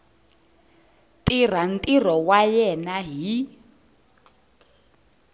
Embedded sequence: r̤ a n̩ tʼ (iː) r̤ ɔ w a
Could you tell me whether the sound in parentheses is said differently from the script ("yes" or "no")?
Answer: yes